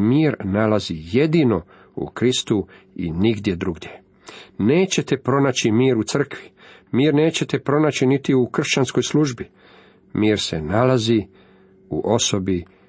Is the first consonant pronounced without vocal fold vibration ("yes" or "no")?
no